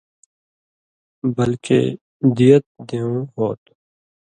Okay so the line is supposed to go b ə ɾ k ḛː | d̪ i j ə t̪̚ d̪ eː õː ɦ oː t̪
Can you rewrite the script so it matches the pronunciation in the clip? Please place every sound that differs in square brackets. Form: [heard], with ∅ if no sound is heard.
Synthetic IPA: b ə [l] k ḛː | d̪ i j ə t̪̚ d̪ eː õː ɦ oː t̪